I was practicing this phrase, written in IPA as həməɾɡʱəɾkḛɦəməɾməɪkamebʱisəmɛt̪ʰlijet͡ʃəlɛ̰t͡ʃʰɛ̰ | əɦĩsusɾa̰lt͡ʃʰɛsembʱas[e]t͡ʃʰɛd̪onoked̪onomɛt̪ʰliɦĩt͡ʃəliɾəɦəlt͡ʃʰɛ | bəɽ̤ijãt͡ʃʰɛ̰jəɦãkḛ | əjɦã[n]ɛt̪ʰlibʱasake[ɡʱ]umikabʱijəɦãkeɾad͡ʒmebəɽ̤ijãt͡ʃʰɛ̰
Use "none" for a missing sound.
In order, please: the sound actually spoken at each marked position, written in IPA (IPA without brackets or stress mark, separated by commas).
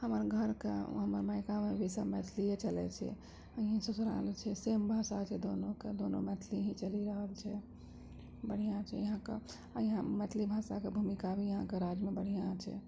a, m, bʱ